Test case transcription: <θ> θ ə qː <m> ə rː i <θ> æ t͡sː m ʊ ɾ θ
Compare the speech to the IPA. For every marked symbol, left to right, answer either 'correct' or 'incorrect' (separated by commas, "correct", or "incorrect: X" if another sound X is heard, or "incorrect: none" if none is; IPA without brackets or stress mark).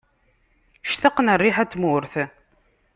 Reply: incorrect: ʃ, incorrect: n, incorrect: ħ